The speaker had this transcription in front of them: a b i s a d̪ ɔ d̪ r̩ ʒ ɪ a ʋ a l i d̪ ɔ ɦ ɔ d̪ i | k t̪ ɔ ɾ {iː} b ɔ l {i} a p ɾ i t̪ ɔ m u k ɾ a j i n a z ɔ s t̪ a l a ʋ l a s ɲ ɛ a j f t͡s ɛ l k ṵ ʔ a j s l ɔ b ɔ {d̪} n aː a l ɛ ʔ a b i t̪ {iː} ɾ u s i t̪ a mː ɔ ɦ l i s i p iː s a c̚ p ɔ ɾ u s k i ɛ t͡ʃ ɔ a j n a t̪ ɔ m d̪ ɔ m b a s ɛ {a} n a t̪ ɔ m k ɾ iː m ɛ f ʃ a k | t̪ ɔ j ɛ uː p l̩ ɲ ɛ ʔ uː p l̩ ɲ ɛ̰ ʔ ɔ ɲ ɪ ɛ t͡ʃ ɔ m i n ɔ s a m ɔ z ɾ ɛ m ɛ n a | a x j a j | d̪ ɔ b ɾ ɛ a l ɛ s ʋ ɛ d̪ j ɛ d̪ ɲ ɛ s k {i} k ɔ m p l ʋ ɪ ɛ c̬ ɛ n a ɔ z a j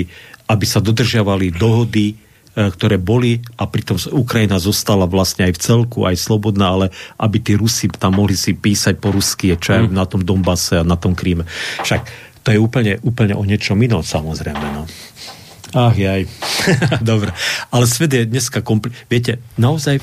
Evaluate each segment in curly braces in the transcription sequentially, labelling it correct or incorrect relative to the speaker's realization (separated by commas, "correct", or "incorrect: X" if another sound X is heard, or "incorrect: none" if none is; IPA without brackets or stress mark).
incorrect: ɛː, correct, correct, correct, correct, incorrect: a